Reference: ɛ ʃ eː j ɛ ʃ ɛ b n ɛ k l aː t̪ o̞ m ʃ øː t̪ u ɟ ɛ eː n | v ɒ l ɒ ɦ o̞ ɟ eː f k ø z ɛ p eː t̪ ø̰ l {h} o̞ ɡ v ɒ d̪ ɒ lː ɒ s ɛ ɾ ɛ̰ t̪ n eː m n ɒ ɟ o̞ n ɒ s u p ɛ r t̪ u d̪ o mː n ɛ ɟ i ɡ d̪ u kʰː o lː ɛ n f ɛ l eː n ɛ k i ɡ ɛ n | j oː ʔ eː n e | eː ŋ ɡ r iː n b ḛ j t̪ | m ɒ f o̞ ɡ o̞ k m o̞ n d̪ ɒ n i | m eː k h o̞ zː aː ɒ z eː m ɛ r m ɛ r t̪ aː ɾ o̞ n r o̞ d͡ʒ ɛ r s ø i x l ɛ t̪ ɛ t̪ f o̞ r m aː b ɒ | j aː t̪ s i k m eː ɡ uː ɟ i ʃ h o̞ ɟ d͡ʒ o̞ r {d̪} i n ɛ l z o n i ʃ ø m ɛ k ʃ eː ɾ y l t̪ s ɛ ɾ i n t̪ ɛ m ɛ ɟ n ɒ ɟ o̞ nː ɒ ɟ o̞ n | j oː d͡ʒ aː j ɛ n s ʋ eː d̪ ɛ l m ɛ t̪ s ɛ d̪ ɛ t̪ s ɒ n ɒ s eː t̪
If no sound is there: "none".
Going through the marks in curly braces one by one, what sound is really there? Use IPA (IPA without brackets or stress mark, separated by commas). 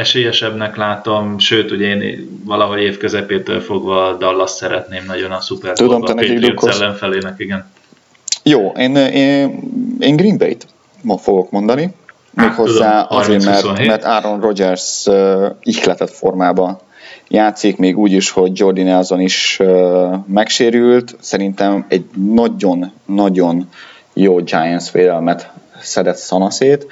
f, d̪